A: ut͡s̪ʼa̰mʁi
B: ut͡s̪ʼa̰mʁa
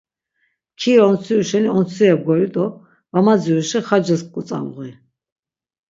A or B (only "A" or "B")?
A